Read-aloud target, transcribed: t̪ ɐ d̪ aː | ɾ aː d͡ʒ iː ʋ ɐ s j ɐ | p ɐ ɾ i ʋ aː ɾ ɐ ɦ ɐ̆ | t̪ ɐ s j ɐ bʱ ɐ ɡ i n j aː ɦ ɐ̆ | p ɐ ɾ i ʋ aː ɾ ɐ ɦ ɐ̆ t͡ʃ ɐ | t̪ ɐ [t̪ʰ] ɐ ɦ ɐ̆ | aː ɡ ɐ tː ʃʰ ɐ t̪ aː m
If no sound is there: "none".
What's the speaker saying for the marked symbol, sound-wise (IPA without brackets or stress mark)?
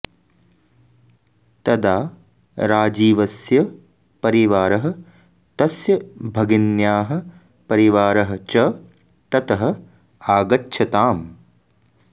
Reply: t̪